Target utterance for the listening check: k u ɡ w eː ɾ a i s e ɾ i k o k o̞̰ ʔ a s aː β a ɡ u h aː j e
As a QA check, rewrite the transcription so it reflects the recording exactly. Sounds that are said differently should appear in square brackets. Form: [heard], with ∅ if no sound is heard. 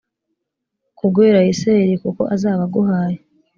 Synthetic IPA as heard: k u ɡ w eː ɾ a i s e ɾ i k [u] k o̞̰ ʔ a [z] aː β a ɡ u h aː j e